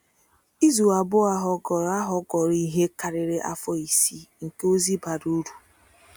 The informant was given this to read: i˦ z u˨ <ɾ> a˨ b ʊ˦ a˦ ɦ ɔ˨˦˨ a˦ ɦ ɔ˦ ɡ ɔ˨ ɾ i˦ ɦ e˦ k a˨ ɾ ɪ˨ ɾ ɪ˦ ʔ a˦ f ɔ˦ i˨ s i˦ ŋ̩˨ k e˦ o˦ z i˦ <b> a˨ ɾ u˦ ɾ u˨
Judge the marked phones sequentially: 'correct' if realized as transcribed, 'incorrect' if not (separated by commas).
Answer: incorrect, correct